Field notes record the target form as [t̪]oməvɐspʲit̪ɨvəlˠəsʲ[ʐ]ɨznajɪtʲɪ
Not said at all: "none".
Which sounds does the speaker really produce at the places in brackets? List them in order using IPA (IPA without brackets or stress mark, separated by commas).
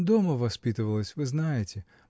d̪, v